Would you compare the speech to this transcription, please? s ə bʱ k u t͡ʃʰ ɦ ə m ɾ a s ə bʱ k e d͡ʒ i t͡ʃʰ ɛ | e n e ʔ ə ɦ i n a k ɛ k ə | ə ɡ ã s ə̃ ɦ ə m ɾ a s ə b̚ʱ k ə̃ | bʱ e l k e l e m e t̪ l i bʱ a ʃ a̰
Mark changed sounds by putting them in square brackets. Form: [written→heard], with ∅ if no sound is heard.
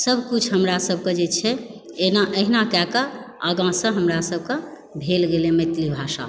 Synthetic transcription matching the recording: s ə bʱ k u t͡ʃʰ ɦ ə m ɾ a s ə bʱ k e d͡ʒ [i→e] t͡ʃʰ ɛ | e n [e→a] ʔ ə ɦ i n a k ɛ k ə | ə ɡ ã s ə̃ ɦ ə m ɾ a s ə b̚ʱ k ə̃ | bʱ e l [k→ɡ] e l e m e t̪ l i bʱ a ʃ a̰